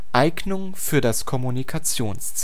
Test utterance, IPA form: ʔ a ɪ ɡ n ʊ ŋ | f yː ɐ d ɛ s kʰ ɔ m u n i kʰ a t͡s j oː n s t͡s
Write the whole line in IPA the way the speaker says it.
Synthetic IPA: ʔ a ɪ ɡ n ʊ ŋ | f yː ɐ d a s kʰ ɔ m u n i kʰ a t͡s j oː n s t͡s